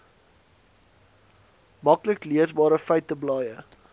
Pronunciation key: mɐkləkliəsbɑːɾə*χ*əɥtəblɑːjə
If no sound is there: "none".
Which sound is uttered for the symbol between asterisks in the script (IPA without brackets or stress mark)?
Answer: f